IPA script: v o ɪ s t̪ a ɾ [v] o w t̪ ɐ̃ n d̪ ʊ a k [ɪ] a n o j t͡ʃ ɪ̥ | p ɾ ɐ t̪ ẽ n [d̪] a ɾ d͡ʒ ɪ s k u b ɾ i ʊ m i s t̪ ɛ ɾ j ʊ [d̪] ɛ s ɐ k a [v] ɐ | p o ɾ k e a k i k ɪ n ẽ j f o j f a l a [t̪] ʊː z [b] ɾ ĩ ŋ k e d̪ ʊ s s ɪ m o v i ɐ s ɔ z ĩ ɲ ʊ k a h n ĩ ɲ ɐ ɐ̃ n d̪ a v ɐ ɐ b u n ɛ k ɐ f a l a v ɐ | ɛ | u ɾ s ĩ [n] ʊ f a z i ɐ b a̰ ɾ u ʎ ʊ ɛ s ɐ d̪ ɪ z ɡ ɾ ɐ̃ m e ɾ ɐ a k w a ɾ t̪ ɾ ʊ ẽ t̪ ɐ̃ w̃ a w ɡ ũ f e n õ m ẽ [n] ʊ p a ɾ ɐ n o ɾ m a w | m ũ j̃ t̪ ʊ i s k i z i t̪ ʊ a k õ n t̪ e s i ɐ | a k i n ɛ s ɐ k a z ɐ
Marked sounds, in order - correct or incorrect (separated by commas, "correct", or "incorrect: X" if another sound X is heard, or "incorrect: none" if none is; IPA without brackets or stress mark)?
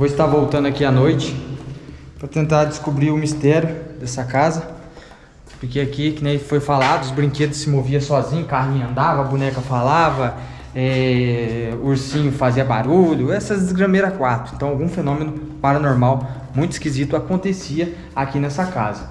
correct, incorrect: i, incorrect: t̪, correct, incorrect: z, incorrect: d̪, correct, incorrect: ɲ, correct